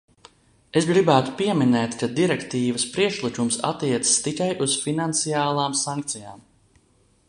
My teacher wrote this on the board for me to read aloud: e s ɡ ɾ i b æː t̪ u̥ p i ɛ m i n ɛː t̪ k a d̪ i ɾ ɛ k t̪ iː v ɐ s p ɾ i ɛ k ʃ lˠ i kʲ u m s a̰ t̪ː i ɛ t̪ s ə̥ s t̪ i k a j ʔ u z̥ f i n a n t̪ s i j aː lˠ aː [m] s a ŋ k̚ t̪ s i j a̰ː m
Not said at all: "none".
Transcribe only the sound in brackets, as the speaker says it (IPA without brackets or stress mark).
m